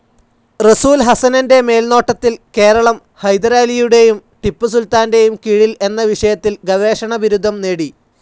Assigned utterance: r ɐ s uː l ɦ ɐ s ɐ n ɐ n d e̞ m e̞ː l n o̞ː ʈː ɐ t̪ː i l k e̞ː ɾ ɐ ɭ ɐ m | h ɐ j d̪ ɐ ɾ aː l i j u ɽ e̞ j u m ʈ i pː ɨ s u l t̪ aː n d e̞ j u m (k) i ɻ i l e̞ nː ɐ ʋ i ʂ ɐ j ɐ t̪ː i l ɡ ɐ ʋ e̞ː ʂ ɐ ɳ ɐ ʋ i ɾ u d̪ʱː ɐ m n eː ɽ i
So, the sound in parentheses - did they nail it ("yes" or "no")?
yes